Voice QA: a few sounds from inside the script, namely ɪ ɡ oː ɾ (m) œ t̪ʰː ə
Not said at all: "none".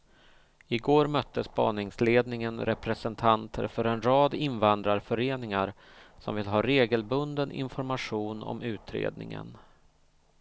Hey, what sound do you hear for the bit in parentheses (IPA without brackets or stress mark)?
m